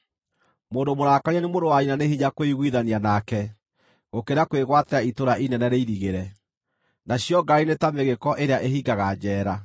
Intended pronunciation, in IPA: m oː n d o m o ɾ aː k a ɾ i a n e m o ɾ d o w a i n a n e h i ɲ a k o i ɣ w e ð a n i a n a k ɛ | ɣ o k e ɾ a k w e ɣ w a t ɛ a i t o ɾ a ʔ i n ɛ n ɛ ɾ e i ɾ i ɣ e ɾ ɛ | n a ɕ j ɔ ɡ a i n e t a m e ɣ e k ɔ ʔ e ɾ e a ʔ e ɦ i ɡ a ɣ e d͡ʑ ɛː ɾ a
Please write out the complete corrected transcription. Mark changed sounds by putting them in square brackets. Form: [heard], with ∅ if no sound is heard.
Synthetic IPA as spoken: m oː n d o m o ɾ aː k a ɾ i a n e m o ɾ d o w a i n a n e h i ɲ a k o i ɣ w [i] ð a n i a n a k ɛ | ɣ o k e ɾ a k w e ɣ w a t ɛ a i t o ɾ a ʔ i n ɛ n ɛ ɾ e i ɾ i ɣ e ɾ ɛ | n a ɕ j ɔ ɡ a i n e t a m e ɣ e k ɔ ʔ e ɾ e a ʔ e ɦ i ɡ a ɣ [a] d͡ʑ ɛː ɾ a